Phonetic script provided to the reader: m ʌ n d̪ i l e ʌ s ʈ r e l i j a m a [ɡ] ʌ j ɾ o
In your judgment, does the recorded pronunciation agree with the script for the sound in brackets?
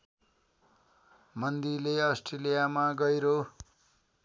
yes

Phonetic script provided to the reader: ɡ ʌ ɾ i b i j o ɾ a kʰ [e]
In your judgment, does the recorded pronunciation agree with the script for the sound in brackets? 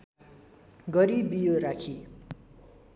no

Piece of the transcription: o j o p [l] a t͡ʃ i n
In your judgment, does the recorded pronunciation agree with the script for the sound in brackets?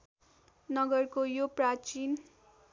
no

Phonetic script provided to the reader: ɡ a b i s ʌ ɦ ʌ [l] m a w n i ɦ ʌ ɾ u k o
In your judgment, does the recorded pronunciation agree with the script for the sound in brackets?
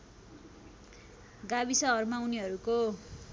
no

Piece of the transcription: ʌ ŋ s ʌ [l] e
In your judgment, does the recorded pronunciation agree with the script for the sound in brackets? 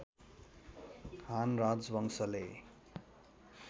yes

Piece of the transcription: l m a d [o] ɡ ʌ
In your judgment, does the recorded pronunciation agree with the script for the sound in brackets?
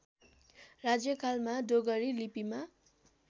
yes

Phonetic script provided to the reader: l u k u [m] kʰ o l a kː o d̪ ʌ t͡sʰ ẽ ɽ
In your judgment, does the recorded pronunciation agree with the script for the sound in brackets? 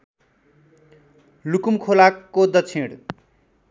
yes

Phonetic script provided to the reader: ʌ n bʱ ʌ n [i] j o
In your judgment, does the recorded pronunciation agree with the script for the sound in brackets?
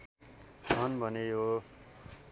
no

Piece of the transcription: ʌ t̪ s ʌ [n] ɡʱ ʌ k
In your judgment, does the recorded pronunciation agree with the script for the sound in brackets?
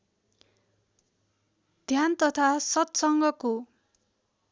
no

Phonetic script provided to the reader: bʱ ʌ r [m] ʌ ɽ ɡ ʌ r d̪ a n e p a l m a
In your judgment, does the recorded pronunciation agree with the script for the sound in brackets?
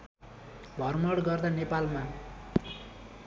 yes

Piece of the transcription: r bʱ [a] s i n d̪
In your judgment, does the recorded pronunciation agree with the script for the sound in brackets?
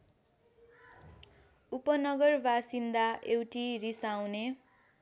yes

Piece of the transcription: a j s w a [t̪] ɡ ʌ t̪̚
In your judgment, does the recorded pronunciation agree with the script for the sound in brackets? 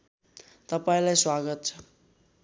no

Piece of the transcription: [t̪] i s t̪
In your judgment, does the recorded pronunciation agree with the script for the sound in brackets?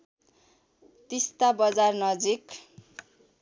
yes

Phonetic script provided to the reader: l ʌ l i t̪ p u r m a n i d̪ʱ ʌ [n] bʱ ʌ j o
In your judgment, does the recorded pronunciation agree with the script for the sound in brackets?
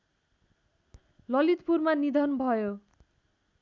yes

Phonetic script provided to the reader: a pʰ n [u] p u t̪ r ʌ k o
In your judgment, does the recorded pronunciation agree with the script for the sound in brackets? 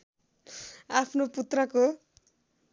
no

